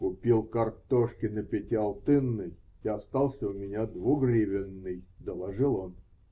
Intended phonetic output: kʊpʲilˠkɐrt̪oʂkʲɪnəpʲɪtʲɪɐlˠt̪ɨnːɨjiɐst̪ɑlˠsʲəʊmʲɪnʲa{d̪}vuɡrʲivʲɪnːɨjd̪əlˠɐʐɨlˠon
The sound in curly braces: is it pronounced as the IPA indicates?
yes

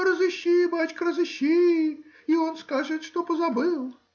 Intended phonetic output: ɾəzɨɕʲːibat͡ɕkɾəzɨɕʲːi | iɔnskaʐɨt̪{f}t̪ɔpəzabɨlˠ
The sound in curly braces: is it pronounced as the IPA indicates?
no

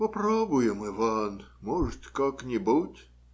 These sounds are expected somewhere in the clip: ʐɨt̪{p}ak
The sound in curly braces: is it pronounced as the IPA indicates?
no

